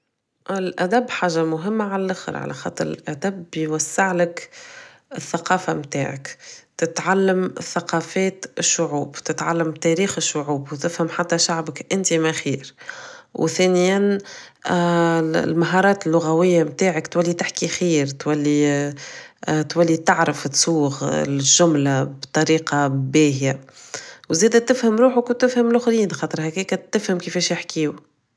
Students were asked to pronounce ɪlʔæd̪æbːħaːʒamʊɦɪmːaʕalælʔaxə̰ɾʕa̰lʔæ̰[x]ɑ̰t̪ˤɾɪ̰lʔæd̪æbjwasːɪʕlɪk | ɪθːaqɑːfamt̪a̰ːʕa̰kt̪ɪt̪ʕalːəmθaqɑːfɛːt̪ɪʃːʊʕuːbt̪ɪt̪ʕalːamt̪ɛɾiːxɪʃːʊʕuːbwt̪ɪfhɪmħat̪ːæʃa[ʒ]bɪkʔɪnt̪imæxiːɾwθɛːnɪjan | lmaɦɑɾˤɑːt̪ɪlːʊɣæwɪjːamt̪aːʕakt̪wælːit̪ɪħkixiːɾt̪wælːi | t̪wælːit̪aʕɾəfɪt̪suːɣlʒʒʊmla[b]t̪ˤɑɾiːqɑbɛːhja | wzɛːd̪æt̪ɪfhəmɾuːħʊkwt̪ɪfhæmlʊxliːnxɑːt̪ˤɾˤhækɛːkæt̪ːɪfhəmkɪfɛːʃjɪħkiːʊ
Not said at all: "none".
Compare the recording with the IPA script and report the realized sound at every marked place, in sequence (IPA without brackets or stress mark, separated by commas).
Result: x, ʕ, b